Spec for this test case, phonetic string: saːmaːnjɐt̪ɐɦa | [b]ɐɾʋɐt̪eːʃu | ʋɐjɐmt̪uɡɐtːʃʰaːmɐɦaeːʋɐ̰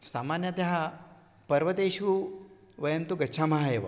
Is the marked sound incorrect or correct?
incorrect